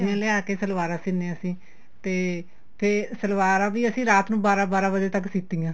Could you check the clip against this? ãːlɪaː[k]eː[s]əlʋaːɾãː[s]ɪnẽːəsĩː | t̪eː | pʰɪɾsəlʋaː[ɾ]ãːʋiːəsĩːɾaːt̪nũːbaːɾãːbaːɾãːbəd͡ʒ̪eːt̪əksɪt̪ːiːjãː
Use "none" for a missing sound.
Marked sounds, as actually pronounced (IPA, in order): k, s, s, ɾ

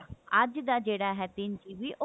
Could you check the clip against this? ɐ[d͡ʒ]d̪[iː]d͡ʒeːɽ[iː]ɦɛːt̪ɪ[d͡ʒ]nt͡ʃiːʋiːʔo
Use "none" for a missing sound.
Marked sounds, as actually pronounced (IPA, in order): d͡ʒ, aː, aː, none

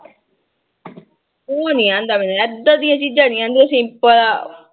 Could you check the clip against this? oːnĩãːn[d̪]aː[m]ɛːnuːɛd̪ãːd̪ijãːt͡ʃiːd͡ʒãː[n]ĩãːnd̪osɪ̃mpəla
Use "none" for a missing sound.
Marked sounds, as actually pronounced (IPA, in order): d̪, m, n

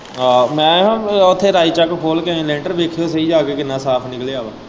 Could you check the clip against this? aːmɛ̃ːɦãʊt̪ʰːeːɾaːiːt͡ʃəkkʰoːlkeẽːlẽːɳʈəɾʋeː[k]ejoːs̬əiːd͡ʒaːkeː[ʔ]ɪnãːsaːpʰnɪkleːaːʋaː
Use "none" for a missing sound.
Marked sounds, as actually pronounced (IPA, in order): kʰ, k

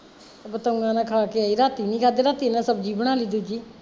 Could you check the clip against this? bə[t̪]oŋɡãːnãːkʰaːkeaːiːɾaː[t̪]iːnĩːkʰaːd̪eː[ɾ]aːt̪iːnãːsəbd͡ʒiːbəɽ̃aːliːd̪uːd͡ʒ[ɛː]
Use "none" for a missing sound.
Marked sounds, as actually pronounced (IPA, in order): t̪, t̪, ɾ, iː

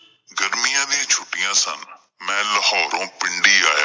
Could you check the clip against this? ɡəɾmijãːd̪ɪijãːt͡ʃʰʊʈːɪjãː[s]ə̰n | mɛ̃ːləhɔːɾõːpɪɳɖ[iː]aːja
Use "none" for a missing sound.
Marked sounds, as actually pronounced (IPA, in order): s, iː

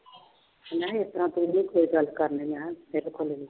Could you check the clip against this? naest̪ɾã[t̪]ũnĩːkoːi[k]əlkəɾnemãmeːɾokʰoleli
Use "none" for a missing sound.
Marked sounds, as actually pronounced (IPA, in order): t̪, ɡ

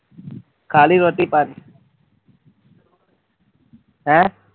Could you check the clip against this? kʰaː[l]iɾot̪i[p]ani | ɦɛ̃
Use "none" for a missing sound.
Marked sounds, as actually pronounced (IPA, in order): l, p

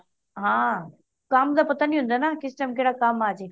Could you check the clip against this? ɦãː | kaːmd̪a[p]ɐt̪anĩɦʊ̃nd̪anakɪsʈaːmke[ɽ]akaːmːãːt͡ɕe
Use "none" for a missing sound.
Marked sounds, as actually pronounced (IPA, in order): p, ɽ

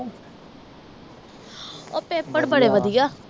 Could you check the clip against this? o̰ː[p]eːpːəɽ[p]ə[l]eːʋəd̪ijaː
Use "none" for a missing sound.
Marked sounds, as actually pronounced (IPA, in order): p, b, ɽ

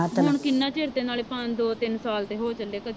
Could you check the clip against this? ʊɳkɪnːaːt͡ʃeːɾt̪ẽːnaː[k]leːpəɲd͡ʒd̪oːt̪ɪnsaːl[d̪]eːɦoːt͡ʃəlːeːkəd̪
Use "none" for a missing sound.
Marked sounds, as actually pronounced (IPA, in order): none, t̪

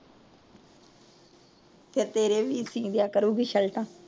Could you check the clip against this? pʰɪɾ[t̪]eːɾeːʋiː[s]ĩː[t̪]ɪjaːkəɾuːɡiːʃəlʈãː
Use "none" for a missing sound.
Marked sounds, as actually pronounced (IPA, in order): t̪, s, d̪

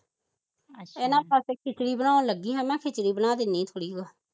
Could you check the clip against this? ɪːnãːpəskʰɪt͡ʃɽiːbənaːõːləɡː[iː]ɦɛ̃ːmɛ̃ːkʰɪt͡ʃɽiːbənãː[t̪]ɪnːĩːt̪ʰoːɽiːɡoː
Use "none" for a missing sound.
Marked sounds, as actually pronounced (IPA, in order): iː, d̪

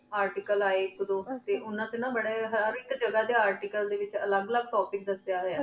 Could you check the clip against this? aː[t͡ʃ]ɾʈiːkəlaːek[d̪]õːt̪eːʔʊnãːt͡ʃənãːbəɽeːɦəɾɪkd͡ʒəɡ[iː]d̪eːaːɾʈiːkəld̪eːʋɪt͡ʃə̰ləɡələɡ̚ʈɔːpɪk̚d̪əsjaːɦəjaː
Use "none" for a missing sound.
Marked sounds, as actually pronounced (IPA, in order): none, d̪, aː

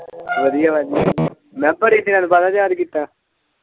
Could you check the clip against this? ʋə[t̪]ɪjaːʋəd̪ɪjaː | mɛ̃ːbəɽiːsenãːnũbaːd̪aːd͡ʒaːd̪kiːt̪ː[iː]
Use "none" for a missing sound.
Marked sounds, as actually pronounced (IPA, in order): d̪, aː

